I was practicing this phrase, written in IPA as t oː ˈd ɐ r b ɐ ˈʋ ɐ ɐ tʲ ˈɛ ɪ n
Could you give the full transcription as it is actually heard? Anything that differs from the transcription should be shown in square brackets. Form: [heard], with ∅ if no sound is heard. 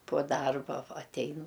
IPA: [p] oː ˈd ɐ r b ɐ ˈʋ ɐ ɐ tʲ ˈɛ ɪ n